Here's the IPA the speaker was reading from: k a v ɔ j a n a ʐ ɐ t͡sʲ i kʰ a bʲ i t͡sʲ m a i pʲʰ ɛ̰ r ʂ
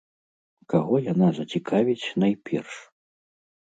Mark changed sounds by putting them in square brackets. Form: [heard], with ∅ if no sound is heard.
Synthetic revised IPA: k a [ɣ] ɔ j a n a [z] ɐ t͡sʲ i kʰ a [vʲ] i t͡sʲ [n] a [j] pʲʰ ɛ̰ r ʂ